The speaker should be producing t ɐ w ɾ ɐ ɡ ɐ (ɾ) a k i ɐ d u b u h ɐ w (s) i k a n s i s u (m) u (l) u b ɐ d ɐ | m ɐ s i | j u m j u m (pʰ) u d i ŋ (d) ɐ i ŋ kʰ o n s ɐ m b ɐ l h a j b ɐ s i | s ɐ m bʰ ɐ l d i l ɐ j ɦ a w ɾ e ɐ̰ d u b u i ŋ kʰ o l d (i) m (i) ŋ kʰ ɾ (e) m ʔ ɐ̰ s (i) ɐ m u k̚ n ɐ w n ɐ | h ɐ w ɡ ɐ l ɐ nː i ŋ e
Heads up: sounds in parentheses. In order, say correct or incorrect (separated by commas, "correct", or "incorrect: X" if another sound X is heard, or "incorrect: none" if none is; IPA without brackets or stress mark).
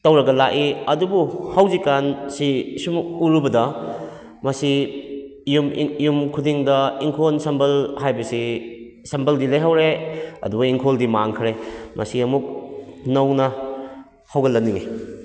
incorrect: l, incorrect: z, correct, incorrect: ɾ, incorrect: kʰ, correct, correct, incorrect: a, correct, correct